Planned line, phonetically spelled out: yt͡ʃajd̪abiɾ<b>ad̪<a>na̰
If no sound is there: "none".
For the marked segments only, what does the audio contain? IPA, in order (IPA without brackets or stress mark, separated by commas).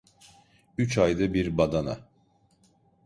b, a